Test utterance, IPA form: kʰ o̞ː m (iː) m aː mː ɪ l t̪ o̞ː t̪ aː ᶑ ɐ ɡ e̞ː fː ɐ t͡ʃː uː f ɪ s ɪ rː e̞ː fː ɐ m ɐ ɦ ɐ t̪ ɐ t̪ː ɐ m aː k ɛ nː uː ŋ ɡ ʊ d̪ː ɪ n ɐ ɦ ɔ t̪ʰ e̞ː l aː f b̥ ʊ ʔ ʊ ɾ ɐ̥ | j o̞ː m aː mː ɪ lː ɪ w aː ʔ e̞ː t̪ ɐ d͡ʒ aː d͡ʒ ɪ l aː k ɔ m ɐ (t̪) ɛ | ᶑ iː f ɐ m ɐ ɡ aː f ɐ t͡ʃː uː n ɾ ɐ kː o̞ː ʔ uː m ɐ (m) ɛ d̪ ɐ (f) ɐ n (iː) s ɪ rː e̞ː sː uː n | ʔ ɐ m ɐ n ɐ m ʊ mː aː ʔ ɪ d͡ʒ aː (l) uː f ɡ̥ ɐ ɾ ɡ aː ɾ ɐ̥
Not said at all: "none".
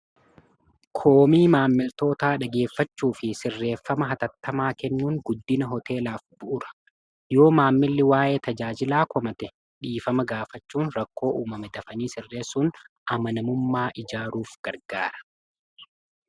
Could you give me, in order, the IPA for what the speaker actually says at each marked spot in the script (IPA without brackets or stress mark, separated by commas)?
iː, t̪, m, f, iː, ɾ